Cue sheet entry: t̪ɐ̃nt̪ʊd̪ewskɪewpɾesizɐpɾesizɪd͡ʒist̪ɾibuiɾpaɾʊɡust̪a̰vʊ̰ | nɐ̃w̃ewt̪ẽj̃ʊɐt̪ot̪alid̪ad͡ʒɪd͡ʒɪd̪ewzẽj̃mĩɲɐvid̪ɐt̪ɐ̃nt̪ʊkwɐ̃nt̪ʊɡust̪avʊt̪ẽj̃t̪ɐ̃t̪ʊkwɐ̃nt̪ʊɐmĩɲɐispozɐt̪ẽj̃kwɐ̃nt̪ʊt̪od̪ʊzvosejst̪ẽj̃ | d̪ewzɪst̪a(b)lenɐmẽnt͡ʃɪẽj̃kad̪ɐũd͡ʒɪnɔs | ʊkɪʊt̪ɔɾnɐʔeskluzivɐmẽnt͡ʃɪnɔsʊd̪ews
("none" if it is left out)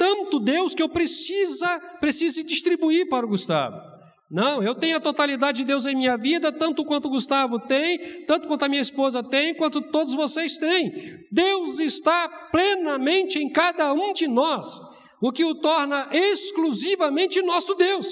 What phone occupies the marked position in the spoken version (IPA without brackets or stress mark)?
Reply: p